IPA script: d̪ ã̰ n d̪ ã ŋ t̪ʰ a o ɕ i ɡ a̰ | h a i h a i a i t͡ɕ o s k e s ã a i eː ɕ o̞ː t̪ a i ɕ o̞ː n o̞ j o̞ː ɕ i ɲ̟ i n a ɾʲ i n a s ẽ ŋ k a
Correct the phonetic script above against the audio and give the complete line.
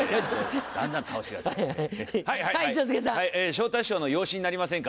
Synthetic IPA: d̪ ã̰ n d̪ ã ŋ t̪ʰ a o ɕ i ɡ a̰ | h a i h a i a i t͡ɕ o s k e s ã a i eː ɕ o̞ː t̪ a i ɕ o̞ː n o̞ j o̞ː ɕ i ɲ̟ i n a ɾʲ i m a s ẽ ŋ k a

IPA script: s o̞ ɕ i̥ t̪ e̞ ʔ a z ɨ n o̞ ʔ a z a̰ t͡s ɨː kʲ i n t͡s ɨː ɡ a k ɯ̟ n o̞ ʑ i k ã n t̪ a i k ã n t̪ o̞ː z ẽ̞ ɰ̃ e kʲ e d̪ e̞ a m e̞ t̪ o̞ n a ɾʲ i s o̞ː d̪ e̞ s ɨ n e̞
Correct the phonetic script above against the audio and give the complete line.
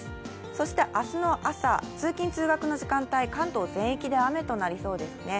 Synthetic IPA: s o̞ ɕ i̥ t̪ e̞ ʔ a s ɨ n o̞ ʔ a s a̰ t͡s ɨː kʲ ĩ n t͡s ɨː ɡ a k ɯ̟ n o̞ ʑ i k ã n t̪ a i k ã n t̪ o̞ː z ẽ̞ ɰ̃ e kʲ i d̪ e̞ a m e̞ t̪ o̞ n a ɾʲ i s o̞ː d̪ e̞ s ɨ n e̞

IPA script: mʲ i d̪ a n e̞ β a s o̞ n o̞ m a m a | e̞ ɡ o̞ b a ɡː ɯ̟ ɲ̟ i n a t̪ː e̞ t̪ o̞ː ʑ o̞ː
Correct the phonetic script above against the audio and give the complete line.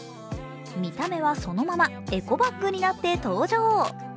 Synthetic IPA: mʲ i t̪ a m e̞ β a s o̞ n o̞ m a m a | e̞ k o̞ b a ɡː ɯ̟ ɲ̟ i n a t̪ː e̞ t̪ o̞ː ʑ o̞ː

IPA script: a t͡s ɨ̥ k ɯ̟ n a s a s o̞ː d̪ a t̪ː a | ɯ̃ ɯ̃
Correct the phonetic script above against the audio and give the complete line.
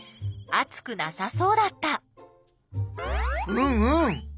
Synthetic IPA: a t͡s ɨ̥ k ɯ̟ n a s a s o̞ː d̪ a t̪ː a | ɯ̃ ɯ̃

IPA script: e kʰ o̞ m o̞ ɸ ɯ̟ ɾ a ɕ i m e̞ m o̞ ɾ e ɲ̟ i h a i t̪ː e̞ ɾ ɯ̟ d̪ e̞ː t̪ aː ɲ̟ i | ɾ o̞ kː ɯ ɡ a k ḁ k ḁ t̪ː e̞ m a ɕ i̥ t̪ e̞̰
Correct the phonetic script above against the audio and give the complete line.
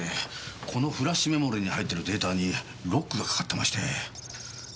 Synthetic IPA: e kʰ o̞ n o̞ ɸ ɯ̟ ɾ a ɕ i m e̞ m o̞ ɾ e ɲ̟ i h a i t̪ː e̞ ɾ ɯ̟ d̪ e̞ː t̪ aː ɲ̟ i | ɾ o̞ kː ɯ ɡ a k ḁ k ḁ t̪ː e̞ m a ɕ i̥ t̪ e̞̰

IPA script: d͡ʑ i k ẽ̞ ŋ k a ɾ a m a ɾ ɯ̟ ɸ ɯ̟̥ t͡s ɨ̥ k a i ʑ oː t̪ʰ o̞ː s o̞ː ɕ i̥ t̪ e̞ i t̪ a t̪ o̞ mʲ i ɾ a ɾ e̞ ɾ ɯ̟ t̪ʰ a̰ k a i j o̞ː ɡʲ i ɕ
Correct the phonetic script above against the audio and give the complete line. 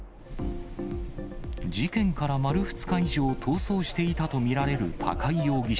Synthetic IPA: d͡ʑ i k ẽ̞ ŋ k a ɾ a m a ɾ ɯ̟ ɸ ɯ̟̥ t͡s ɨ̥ k a i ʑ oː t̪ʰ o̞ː s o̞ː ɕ i̥ t̪ e̞ i t̪ a t̪ o̞ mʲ i ɾ a ɾ e̞ ɾ ɯ̟ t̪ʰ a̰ k a i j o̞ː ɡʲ i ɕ

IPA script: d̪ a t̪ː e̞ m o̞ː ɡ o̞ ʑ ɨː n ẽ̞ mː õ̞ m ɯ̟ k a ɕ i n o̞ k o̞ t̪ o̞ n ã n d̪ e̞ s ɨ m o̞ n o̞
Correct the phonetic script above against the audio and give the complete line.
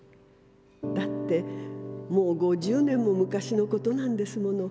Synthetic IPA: d̪ a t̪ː e̞ m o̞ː ɡ o̞ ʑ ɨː n ẽ̞ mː o̞ m ɯ̟ k a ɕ i n o̞ k o̞ t̪ o̞ n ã n d̪ e̞ s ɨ m o̞ n o̞

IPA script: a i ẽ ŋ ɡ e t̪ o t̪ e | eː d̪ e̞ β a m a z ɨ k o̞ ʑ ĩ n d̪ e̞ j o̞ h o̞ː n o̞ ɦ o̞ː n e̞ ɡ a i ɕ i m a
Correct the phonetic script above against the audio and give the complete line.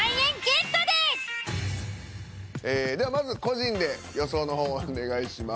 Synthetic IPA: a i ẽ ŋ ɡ e t̪ o d̪ e | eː d̪ e̞ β a m a z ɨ k o̞ ʑ ĩ n d̪ e̞ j o̞ s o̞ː n o̞ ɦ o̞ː n e̞ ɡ a i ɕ i m a

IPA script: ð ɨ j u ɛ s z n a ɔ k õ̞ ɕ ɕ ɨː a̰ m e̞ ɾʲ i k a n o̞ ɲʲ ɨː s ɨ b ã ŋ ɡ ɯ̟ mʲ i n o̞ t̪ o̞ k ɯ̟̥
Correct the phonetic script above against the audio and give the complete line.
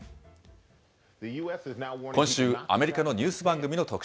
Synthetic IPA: ð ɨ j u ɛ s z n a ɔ k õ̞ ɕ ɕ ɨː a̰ m e̞ ɾʲ i k a n o̞ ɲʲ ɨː s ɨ b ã ŋ ɡ ɯ̟ mʲ i n o̞ t̪ o̞ k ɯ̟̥

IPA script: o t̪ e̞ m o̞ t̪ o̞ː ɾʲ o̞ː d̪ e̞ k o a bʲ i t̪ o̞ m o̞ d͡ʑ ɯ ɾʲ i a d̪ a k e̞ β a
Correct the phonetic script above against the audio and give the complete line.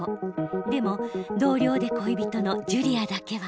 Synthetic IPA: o d̪ e̞ m o̞ d̪ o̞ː ɾʲ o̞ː d̪ e̞ k o i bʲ i t̪ o̞ n o̞ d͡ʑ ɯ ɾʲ i a d̪ a k e̞ β a

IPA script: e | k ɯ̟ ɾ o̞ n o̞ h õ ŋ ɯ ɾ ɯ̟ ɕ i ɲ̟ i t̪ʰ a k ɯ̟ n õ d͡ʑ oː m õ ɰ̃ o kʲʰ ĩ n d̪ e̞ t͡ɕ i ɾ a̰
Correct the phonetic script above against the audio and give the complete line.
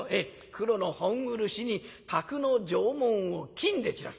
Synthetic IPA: e | k ɯ̟ ɾ o̞ n o̞ h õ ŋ ɯ ɾ ɯ̟ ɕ i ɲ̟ i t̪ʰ a k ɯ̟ n o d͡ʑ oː m õ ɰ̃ o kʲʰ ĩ n d̪ e̞ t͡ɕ i ɾ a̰

